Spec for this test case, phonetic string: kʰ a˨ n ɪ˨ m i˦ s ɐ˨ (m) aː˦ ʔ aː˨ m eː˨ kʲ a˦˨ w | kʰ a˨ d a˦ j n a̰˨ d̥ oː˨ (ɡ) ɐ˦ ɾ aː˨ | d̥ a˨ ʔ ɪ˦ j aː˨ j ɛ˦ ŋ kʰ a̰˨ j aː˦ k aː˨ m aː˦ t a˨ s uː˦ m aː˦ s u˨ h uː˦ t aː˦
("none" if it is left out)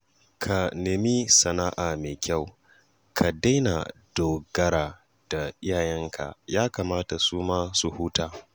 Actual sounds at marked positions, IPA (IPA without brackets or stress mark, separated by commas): n, ɡ